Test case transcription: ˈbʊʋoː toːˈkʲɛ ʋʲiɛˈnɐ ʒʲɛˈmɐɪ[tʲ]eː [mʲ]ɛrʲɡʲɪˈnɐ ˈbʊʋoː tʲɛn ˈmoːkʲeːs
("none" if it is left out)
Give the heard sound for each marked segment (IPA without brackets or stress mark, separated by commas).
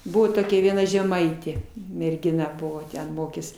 tʲ, mʲ